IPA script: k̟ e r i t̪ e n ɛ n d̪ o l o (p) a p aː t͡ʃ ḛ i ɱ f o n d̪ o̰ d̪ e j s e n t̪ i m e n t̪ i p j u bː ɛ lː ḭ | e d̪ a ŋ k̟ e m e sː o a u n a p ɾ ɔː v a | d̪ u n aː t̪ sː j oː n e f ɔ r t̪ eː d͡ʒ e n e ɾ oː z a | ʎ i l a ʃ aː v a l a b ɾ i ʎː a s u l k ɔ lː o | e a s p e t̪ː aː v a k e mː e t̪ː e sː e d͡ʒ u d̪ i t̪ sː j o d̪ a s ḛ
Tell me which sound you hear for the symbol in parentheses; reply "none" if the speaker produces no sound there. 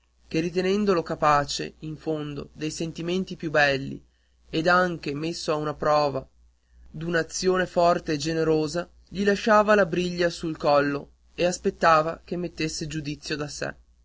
k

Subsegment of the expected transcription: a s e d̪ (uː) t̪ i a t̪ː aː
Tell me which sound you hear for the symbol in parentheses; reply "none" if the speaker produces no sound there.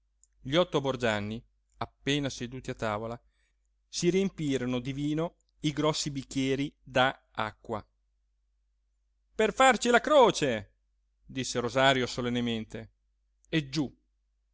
uː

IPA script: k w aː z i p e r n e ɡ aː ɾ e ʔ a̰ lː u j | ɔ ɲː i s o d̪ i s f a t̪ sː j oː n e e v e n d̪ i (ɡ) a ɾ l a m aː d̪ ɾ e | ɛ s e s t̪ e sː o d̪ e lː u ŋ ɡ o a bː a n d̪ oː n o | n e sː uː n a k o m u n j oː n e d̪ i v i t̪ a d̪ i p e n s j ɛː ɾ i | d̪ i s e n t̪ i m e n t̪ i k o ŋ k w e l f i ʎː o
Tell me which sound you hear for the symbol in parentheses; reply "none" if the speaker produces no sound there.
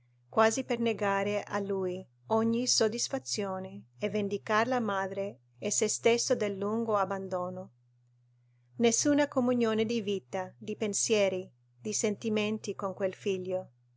k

